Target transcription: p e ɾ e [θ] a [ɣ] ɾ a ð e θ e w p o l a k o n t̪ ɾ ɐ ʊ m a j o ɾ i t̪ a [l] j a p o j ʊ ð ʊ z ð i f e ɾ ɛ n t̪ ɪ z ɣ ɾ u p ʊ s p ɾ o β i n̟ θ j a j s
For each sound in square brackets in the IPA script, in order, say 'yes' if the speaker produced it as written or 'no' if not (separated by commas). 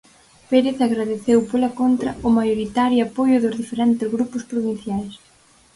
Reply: yes, yes, no